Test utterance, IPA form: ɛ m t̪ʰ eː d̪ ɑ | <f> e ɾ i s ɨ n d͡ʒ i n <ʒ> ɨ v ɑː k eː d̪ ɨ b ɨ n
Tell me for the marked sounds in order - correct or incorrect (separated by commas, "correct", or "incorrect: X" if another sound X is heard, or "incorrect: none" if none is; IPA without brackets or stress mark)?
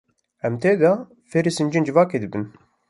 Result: correct, incorrect: d͡ʒ